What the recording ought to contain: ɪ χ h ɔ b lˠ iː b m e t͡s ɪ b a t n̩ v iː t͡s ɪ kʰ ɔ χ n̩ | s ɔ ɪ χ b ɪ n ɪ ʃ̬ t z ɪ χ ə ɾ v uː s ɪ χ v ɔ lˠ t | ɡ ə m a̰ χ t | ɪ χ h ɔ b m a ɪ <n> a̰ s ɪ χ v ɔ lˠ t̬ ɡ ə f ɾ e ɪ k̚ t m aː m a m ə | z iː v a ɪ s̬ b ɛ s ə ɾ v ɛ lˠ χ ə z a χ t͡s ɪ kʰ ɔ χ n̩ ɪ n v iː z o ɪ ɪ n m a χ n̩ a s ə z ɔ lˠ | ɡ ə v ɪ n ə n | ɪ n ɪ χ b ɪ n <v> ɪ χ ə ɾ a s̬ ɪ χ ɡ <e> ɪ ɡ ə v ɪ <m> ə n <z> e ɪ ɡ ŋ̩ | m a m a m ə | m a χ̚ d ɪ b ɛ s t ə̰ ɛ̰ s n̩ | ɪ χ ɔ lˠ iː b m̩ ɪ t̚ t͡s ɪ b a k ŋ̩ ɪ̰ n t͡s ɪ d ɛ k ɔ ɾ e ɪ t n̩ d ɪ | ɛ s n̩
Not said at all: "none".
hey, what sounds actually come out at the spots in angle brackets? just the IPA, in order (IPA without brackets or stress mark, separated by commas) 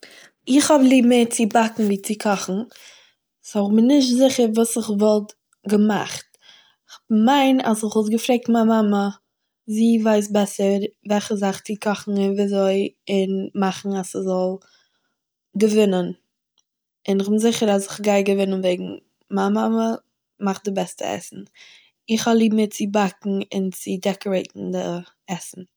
n, z, a, n, v